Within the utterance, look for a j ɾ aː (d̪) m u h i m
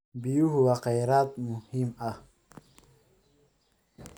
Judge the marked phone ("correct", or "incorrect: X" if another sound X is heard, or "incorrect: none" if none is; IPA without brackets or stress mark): incorrect: t̪